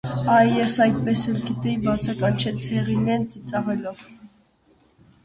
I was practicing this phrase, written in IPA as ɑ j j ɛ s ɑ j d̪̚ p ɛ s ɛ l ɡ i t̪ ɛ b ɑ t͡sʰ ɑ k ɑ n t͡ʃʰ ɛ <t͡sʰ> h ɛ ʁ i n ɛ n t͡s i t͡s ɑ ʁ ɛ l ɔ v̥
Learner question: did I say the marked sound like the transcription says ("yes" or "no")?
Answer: yes